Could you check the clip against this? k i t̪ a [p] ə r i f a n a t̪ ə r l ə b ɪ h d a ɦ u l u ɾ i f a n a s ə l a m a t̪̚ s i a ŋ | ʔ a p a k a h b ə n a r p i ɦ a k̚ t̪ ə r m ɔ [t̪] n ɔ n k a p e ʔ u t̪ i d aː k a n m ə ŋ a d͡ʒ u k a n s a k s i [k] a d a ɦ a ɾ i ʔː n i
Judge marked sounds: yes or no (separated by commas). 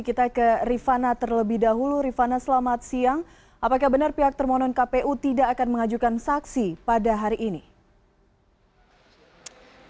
no, no, no